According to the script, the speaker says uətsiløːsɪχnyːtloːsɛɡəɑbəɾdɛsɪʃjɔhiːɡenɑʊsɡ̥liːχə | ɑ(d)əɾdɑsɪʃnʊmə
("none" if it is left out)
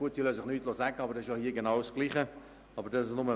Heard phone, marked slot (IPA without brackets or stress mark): b